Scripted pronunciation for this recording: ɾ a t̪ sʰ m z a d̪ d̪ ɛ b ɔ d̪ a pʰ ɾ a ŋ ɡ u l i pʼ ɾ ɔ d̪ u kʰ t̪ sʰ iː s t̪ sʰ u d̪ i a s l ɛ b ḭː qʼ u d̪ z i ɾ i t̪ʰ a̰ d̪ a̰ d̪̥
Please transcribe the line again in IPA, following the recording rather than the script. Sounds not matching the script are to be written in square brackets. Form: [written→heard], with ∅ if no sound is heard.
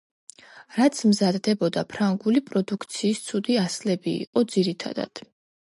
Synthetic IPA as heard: ɾ a t̪ sʰ m z a d̪ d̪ ɛ b ɔ d̪ a pʰ ɾ a ŋ ɡ u l i pʼ ɾ ɔ d̪ u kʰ t̪ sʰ iː s t̪ sʰ u d̪ i a s l ɛ b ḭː qʼ [u→ɔ] d̪ z i ɾ i t̪ʰ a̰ d̪ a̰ d̪̥